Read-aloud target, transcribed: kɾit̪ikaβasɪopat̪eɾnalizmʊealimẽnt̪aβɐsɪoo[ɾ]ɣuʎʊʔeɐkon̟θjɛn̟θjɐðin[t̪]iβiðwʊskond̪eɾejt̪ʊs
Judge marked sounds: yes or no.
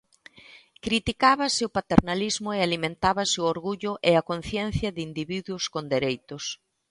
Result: yes, no

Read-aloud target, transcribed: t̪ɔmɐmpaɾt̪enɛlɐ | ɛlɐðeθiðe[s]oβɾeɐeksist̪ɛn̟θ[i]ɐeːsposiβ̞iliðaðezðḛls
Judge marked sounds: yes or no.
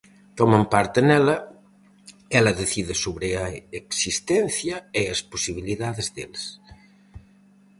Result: yes, no

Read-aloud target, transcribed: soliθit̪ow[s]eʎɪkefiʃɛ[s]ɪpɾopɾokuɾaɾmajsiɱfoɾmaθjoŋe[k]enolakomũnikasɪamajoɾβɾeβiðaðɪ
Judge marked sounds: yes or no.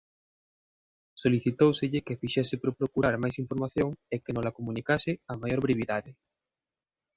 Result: yes, yes, yes

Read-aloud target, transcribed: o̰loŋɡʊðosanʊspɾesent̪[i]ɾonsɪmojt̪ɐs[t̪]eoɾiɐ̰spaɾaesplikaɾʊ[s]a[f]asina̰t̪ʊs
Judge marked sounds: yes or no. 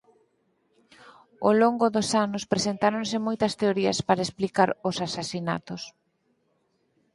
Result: no, yes, yes, no

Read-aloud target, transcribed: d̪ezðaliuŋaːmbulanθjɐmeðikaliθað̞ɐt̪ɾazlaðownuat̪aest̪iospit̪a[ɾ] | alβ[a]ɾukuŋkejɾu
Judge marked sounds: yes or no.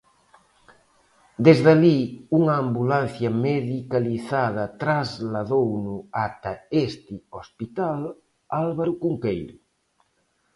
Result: no, yes

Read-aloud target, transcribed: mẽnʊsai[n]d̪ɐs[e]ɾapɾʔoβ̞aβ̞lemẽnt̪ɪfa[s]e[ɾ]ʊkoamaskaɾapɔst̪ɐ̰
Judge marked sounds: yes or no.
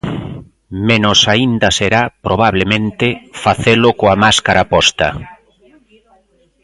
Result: yes, yes, no, no

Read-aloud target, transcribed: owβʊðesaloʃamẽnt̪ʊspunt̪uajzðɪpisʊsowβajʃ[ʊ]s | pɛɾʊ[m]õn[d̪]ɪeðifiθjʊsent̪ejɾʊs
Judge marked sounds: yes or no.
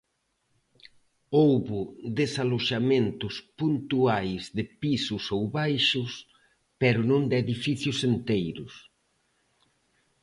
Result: yes, no, yes

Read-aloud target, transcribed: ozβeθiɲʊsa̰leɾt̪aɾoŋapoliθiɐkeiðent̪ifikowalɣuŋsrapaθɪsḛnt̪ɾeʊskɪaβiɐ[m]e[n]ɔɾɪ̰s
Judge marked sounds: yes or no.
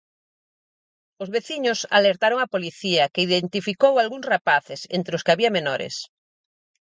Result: yes, yes

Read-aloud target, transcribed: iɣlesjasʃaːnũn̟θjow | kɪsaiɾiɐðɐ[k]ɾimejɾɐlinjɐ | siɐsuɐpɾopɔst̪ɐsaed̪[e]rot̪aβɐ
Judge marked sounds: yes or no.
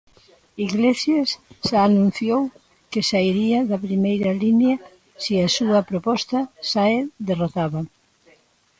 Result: no, yes

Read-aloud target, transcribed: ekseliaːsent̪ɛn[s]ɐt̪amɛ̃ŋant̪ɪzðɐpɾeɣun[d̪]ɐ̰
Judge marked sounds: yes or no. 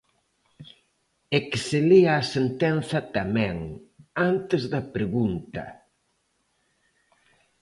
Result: no, no

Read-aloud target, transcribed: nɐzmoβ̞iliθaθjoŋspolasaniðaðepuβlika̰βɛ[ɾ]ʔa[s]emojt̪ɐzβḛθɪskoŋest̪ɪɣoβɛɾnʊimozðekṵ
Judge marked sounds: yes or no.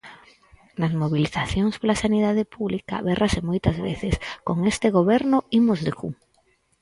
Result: no, yes

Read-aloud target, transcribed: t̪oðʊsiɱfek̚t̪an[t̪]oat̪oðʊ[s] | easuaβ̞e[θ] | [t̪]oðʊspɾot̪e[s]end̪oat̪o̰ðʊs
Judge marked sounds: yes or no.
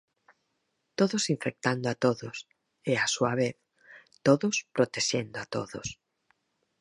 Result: no, yes, yes, yes, no

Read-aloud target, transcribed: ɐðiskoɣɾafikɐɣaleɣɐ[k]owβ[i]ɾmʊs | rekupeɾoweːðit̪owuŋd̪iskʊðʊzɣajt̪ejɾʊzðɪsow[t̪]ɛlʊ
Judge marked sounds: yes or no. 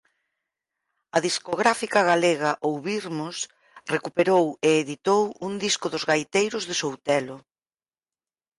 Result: no, yes, yes

